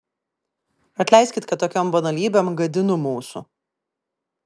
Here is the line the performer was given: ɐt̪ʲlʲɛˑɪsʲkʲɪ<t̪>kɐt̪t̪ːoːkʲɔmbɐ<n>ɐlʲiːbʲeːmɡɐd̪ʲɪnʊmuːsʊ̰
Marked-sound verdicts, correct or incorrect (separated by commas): correct, correct